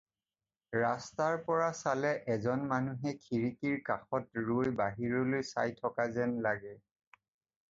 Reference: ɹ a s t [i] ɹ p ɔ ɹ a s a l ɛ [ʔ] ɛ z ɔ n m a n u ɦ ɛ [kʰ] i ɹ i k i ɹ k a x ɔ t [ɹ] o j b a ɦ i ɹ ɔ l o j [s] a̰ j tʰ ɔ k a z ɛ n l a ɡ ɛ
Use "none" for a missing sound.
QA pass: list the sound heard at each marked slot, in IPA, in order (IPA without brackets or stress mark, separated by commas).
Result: a, ʔ, kʰ, ɹ, s